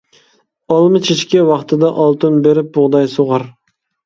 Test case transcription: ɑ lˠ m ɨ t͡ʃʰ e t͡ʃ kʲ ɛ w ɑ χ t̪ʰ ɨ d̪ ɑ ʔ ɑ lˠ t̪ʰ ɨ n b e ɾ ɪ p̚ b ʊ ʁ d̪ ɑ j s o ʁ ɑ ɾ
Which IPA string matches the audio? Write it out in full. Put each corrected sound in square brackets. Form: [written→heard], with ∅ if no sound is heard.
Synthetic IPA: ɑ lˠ m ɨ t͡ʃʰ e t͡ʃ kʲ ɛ w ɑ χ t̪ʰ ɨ d̪ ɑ ʔ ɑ lˠ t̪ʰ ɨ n b e ɾ ɪ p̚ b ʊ ʁ d̪ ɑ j s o ʁ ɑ ɾ

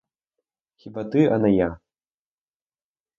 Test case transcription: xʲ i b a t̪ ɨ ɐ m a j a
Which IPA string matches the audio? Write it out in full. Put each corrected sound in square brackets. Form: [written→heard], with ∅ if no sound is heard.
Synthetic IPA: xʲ i b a t̪ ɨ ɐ [m→n] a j a

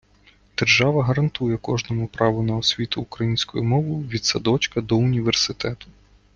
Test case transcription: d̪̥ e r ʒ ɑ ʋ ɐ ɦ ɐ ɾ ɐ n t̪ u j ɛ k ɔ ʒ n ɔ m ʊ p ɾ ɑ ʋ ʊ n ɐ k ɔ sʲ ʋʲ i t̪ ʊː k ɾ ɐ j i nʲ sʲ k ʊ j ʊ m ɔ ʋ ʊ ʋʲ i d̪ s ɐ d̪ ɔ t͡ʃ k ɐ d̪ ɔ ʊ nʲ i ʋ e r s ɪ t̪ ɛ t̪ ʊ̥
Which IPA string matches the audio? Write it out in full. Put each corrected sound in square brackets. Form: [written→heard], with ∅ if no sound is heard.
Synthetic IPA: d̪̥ e r ʒ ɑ ʋ ɐ ɦ ɐ ɾ ɐ n t̪ u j ɛ k ɔ ʒ n ɔ m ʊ p ɾ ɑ ʋ ʊ n ɐ [k→∅] ɔ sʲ ʋʲ i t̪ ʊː k ɾ ɐ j i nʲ sʲ k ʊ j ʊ m ɔ ʋ ʊ ʋʲ i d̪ s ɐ d̪ ɔ t͡ʃ k ɐ d̪ ɔ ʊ nʲ i ʋ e r s ɪ t̪ ɛ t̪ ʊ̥

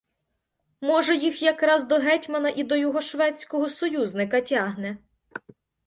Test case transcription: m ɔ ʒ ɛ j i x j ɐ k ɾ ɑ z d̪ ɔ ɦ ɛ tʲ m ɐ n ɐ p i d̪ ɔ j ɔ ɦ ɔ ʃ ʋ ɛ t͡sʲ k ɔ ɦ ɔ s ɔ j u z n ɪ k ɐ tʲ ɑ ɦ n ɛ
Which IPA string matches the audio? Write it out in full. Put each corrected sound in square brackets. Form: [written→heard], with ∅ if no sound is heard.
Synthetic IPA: m ɔ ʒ ɛ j i x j ɐ k ɾ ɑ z d̪ ɔ ɦ ɛ tʲ m ɐ n ɐ [p→ʔ] i d̪ ɔ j ɔ ɦ ɔ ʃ ʋ ɛ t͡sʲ k ɔ ɦ ɔ s ɔ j u z n ɪ k ɐ tʲ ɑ ɦ n ɛ

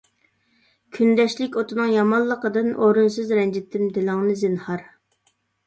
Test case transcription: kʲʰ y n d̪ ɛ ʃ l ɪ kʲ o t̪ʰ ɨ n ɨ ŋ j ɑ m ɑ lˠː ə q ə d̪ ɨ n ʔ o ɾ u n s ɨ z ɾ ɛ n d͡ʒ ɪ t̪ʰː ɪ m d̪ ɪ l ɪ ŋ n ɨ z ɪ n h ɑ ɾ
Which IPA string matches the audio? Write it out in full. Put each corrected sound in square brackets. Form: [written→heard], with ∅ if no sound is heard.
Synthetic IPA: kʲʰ y n d̪ ɛ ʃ l ɪ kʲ o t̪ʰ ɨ n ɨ ŋ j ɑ m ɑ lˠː ə q ə d̪ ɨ n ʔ o ɾ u n s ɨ z ɾ ɛ n d͡ʒ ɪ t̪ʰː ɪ m d̪ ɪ l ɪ ŋ n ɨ z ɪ n h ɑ ɾ

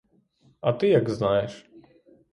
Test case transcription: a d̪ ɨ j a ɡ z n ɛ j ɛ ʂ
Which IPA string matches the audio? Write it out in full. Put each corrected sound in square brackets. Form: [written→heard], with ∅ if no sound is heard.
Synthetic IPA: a [d̪→t̪] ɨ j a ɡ z n [ɛ→a] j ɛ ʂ

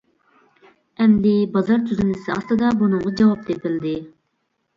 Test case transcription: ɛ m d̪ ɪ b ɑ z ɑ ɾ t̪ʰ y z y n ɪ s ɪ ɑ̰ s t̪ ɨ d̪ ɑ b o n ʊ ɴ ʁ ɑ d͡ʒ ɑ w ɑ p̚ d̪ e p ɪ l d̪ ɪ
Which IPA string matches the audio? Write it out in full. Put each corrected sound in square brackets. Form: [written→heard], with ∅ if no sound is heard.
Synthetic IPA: ɛ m d̪ ɪ b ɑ z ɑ ɾ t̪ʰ y z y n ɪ s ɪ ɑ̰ s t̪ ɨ d̪ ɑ b [o→u] n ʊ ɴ ʁ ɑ d͡ʒ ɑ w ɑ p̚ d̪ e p ɪ l d̪ ɪ

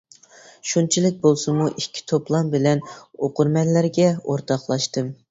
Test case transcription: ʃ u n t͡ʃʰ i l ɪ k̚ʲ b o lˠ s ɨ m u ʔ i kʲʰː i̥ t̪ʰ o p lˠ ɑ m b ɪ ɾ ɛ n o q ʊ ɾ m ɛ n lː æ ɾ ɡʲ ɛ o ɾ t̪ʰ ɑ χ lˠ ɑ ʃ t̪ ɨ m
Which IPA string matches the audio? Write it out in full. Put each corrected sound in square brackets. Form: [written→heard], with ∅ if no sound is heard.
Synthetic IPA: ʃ u n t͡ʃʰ i l ɪ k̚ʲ b o lˠ s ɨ m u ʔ i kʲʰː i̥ t̪ʰ o p lˠ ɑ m b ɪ [ɾ→l] ɛ n o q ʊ ɾ m ɛ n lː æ ɾ ɡʲ ɛ o ɾ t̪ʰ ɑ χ lˠ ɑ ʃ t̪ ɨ m

